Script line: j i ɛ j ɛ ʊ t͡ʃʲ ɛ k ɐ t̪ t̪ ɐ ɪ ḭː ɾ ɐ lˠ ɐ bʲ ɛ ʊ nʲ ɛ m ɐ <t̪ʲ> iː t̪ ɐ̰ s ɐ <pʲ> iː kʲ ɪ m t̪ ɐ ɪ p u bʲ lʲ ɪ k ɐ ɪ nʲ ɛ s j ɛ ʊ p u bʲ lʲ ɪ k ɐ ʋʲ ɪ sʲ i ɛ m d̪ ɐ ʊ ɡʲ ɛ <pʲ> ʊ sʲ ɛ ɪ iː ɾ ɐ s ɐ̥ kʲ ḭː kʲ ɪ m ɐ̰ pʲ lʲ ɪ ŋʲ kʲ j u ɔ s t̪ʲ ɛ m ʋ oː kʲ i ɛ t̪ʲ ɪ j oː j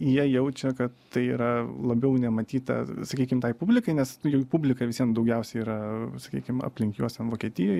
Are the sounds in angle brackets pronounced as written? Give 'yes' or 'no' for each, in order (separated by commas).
yes, no, no